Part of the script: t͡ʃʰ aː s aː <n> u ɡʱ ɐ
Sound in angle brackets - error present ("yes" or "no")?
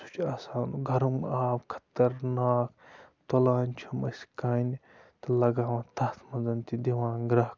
no